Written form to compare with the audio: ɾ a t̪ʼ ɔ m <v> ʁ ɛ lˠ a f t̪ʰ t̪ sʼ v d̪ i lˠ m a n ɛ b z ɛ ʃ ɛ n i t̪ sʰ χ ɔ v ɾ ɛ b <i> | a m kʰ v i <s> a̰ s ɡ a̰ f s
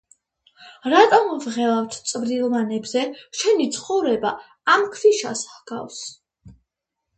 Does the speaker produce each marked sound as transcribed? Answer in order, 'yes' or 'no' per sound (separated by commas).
yes, no, no